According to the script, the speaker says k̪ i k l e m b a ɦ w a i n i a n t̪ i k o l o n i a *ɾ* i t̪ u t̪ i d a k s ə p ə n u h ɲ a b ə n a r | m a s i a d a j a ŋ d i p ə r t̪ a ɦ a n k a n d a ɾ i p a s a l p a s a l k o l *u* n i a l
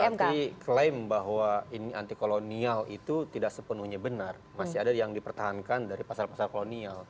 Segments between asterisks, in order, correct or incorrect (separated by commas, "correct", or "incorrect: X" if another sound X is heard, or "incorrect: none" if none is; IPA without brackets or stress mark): incorrect: l, incorrect: o